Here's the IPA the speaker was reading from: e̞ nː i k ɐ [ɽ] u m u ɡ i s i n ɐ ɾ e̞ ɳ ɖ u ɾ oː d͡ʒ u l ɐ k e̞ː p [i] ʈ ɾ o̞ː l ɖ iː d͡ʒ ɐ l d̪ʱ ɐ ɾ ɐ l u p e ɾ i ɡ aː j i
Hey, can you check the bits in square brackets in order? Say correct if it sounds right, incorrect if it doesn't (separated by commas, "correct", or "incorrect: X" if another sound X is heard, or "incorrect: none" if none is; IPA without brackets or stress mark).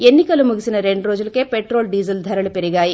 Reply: incorrect: l, incorrect: e